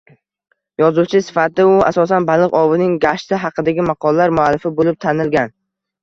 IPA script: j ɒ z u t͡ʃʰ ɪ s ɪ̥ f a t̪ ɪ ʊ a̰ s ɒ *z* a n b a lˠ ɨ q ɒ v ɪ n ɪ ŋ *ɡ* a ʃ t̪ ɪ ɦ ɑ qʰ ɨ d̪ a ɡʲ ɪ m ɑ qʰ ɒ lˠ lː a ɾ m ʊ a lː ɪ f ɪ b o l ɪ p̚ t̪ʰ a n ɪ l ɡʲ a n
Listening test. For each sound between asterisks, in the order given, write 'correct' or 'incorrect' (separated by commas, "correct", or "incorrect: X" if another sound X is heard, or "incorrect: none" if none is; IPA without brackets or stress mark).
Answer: incorrect: s, correct